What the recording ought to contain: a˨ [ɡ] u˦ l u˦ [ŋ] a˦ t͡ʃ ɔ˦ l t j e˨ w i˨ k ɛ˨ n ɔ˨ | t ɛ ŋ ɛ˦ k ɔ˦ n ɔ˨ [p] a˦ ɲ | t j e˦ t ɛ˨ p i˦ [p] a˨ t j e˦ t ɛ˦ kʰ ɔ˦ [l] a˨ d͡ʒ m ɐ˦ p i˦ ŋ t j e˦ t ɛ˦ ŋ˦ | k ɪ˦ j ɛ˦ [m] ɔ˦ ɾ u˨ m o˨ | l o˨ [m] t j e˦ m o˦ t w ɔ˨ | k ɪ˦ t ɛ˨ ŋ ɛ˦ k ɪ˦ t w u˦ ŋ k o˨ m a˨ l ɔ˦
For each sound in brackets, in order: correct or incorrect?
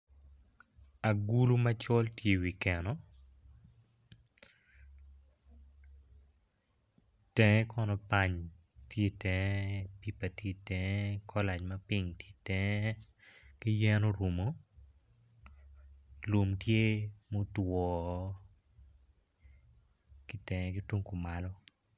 correct, incorrect: m, correct, correct, correct, incorrect: n, correct

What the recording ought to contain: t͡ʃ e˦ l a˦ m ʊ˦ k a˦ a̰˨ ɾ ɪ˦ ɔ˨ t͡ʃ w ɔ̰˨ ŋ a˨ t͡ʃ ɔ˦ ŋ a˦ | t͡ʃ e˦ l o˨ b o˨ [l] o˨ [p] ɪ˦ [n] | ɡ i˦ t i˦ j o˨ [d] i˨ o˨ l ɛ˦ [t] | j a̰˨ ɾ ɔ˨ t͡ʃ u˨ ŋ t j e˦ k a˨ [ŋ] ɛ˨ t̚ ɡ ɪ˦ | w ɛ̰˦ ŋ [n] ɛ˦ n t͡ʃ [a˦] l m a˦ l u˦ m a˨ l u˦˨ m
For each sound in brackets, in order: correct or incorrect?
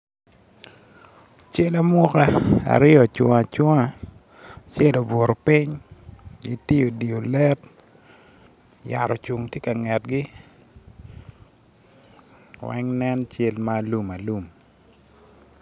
incorrect: ɾ, correct, incorrect: ɲ, correct, correct, correct, correct, incorrect: e˦

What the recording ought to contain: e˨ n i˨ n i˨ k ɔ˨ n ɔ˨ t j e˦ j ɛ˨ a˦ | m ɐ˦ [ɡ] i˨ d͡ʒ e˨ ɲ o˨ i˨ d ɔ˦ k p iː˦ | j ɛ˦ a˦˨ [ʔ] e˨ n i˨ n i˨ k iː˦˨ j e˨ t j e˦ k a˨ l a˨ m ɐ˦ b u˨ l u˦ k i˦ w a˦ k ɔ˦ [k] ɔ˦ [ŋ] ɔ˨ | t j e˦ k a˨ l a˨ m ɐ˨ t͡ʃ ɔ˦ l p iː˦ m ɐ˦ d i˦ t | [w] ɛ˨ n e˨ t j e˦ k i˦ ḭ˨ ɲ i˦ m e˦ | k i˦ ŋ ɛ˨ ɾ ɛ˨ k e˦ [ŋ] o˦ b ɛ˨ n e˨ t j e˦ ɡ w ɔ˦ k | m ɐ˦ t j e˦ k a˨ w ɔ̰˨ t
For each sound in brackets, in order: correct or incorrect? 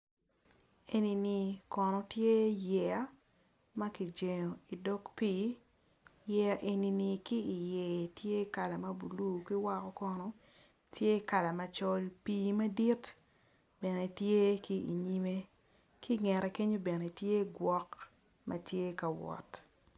incorrect: k, correct, correct, incorrect: n, incorrect: b, incorrect: ɲ

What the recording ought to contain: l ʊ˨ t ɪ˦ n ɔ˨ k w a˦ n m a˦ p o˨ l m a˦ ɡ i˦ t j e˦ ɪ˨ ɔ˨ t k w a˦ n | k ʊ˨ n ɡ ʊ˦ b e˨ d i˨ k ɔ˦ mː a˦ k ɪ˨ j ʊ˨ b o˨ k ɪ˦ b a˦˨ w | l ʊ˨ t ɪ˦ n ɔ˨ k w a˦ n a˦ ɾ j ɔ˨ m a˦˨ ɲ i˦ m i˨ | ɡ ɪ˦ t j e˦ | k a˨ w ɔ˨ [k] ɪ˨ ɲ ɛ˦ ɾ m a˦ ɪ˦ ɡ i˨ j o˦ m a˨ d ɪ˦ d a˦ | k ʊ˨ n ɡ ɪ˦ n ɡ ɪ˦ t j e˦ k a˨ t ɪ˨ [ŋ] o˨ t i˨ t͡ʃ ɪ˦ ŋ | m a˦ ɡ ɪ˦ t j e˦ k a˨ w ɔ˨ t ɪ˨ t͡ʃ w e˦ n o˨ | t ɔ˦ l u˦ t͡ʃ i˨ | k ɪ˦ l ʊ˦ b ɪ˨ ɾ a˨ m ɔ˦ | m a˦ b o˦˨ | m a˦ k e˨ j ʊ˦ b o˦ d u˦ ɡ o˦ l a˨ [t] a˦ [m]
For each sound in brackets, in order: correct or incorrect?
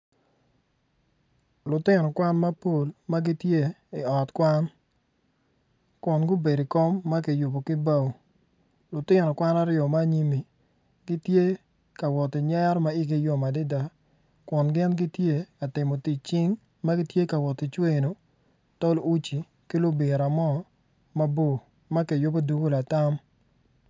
incorrect: t, incorrect: m, correct, correct

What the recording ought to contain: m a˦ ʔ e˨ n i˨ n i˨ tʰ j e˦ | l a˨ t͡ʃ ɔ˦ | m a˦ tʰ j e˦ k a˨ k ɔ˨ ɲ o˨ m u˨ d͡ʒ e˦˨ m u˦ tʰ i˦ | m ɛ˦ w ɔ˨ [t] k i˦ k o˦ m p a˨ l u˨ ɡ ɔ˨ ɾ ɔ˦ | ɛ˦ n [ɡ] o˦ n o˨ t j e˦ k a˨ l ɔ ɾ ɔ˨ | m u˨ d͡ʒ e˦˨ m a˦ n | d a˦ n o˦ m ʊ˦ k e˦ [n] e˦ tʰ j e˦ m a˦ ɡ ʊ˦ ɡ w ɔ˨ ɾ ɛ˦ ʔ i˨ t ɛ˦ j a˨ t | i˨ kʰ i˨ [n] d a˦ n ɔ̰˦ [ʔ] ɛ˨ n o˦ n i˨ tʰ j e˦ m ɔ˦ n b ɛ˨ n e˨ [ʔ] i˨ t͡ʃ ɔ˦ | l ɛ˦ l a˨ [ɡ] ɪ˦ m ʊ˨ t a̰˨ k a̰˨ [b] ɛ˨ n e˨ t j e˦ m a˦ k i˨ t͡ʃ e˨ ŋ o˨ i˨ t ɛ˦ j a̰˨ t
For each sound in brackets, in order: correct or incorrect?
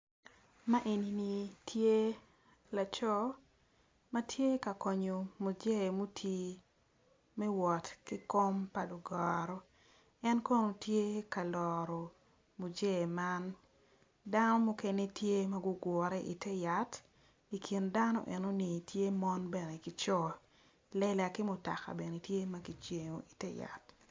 correct, incorrect: k, correct, correct, correct, incorrect: k, incorrect: k, correct

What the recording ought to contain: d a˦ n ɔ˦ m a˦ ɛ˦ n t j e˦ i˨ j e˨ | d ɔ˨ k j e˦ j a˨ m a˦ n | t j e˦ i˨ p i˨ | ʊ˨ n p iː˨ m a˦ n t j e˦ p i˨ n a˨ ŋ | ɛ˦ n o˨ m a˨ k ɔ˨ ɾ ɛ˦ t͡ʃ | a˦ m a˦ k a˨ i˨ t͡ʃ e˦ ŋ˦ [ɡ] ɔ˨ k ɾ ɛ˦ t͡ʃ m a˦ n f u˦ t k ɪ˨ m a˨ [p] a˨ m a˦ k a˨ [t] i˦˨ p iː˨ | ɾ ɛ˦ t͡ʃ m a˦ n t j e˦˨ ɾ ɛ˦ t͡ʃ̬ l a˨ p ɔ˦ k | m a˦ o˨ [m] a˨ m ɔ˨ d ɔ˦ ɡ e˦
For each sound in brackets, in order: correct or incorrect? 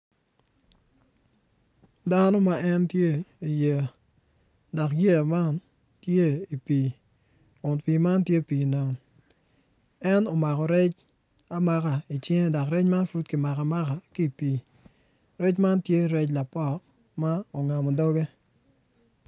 incorrect: d, incorrect: k, incorrect: k, incorrect: ŋ

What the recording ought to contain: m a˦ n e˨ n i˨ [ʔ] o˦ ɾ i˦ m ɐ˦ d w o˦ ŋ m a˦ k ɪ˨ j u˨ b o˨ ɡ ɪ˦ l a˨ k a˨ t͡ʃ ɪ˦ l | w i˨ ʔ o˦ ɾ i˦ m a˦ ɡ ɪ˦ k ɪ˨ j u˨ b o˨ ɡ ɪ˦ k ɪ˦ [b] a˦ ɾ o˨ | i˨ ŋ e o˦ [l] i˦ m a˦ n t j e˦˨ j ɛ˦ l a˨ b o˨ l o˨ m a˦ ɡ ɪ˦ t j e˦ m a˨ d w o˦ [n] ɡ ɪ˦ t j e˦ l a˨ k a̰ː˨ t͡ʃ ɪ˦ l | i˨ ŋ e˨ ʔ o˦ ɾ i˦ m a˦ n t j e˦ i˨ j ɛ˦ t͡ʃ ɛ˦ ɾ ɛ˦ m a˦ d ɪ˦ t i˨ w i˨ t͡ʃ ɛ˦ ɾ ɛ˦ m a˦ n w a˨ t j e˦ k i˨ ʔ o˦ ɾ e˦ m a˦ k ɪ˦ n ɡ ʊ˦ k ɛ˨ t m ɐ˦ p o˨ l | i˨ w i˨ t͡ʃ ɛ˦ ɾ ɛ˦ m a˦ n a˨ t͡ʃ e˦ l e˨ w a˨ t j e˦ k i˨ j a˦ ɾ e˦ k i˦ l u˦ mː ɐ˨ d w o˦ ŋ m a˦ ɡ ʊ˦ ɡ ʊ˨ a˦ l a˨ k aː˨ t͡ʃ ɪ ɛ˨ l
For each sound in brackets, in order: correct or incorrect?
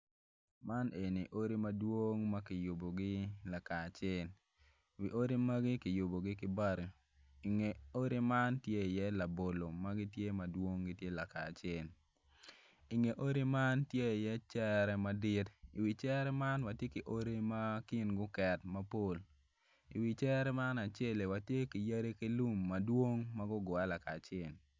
correct, correct, incorrect: ɾ, incorrect: ŋ

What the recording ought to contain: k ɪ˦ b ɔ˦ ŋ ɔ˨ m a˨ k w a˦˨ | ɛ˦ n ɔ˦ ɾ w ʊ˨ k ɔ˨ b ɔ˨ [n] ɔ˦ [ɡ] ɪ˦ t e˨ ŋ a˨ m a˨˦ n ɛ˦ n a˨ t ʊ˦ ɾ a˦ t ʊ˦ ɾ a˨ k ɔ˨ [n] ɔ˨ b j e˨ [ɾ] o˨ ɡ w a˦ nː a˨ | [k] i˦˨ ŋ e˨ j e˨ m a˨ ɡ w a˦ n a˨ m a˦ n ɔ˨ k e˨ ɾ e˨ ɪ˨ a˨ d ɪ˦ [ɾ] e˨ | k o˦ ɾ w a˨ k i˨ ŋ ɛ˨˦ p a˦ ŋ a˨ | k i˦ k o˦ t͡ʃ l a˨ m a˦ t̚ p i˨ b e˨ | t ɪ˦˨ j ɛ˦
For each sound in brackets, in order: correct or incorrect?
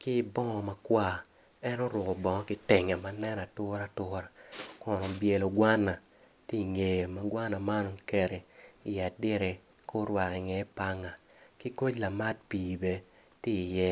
incorrect: ŋ, incorrect: k, correct, incorrect: l, incorrect: t, correct

